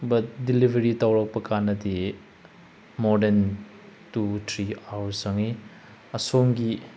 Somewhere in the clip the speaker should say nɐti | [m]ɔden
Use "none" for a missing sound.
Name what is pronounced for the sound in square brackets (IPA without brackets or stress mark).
m